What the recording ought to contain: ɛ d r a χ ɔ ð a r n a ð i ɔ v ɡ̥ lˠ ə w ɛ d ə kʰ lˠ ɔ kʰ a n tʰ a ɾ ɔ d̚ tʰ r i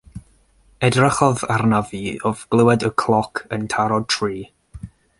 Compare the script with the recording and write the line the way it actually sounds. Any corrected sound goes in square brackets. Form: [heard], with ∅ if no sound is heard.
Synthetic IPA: ɛ d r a χ ɔ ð a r n a [v] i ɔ v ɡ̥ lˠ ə w ɛ d ə kʰ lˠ ɔ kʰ [ə] n tʰ a ɾ ɔ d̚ tʰ r [iː]